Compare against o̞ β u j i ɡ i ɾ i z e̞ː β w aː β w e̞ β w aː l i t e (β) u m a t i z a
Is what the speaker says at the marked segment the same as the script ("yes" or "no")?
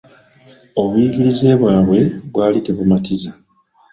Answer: yes